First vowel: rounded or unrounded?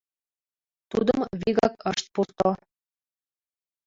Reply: rounded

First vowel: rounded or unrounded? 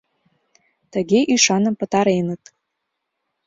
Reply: unrounded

